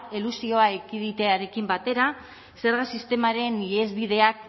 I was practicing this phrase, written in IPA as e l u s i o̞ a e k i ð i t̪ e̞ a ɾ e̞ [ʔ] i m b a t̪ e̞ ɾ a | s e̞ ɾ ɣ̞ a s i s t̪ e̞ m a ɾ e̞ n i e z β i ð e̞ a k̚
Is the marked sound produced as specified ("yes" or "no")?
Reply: no